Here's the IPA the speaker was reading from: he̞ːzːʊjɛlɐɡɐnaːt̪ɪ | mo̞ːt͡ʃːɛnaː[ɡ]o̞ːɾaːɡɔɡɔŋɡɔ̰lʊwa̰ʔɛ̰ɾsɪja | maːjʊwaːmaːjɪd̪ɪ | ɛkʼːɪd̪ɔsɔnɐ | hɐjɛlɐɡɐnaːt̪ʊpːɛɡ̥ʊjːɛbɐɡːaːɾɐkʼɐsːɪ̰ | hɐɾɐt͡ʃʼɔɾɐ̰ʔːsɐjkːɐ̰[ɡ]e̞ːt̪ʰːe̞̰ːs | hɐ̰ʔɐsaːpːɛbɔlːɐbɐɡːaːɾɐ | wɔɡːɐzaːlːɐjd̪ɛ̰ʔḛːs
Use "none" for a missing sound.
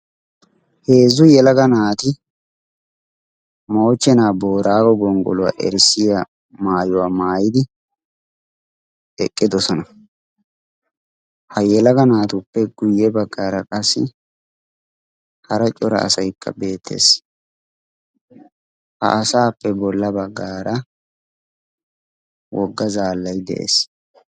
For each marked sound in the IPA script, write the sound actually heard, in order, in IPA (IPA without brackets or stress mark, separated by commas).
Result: b, b